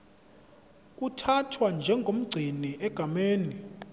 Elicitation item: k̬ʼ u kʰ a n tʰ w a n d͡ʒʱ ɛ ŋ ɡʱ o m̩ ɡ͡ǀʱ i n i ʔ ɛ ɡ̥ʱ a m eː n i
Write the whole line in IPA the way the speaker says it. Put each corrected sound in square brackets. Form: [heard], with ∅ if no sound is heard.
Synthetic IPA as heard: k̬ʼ u [tʰ] a [∅] tʰ w a n d͡ʒʱ ɛ ŋ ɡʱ o m̩ ɡ͡ǀʱ i n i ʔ ɛ ɡ̥ʱ a m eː n i